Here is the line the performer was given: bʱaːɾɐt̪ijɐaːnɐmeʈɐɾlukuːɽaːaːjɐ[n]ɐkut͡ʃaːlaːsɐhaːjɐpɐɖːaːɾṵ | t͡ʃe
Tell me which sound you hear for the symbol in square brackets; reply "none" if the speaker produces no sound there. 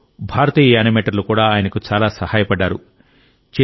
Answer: n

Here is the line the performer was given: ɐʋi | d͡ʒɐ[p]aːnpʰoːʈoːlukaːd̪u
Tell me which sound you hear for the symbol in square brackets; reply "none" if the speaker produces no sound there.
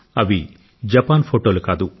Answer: p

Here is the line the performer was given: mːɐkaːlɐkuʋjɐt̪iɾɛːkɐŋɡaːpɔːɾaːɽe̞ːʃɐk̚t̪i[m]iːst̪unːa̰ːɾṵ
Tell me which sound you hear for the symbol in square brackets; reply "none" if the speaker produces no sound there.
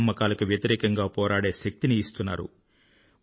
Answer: n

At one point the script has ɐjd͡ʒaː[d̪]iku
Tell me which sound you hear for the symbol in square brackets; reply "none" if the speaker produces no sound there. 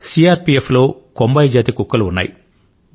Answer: t̪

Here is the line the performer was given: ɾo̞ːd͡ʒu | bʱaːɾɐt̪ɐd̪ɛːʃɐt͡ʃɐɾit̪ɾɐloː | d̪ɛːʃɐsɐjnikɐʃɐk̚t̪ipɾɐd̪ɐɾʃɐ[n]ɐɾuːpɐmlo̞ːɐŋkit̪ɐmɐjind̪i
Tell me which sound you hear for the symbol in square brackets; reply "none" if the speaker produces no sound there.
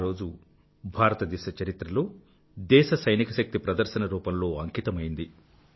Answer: n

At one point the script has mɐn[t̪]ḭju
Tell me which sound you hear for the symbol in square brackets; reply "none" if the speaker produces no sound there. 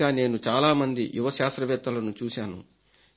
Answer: d̪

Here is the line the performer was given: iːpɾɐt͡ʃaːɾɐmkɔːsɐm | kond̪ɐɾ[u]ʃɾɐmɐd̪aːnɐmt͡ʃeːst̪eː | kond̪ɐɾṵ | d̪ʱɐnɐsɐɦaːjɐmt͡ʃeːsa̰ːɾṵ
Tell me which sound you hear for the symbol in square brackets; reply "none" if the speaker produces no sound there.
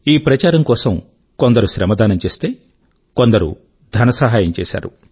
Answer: u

